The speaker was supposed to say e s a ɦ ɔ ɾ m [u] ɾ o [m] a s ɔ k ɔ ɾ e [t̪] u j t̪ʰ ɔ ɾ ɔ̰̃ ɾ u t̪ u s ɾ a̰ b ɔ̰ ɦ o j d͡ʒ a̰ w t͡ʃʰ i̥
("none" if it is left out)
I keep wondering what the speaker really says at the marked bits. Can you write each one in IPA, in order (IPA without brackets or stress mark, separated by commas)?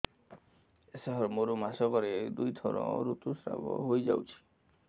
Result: o, m, d̪